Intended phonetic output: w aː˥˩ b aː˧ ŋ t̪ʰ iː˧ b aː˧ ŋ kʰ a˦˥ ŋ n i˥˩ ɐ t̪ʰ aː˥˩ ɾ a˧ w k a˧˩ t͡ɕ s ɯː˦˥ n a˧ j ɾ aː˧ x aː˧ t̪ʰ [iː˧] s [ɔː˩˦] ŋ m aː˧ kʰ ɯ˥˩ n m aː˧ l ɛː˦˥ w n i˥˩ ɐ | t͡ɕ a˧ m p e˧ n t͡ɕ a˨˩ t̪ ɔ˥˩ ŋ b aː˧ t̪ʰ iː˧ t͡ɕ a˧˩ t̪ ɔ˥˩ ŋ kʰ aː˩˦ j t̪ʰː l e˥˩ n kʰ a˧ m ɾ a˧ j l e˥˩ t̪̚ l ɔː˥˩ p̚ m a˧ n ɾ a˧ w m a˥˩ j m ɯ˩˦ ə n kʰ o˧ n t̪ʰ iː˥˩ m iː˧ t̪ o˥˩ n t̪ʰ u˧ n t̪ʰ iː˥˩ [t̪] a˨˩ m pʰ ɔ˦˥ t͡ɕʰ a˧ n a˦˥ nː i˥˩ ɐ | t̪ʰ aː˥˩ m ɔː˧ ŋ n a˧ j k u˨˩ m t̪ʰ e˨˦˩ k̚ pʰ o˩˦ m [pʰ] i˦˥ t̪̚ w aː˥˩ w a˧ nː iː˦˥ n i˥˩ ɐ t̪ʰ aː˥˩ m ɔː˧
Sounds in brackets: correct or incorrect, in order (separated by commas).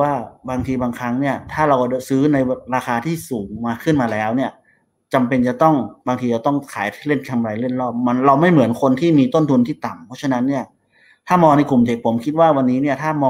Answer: incorrect, incorrect, correct, incorrect